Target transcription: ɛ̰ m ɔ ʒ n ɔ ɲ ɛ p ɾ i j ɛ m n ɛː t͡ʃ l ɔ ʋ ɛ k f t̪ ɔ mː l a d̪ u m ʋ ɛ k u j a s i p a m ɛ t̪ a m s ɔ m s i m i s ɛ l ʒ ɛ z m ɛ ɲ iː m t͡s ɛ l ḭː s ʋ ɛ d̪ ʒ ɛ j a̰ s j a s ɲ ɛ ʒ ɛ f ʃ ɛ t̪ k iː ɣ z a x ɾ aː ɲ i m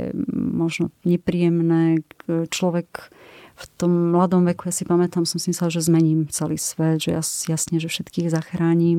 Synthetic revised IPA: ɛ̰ m ɔ ʒ n ɔ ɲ ɛ p ɾ i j ɛ m n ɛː t͡ʃ l ɔ ʋ ɛ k f t̪ ɔ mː l a d̪ ɔ m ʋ ɛ k u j a s i p a m ɛ t̪ a m s ɔ m s i m i s ɛ l ʒ ɛ z m ɛ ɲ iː m t͡s ɛ l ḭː s ʋ ɛ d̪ ʒ ɛ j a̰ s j a s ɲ ɛ ʒ ɛ f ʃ ɛ t̪ k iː ɣ z a x ɾ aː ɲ i m